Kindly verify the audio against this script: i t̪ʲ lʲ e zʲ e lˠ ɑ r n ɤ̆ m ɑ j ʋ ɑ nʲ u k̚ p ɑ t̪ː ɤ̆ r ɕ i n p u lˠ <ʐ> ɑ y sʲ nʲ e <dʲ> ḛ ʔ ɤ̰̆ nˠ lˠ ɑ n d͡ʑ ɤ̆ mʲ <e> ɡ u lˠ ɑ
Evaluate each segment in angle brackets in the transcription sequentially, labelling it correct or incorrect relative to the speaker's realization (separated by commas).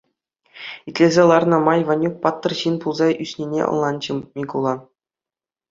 incorrect, incorrect, incorrect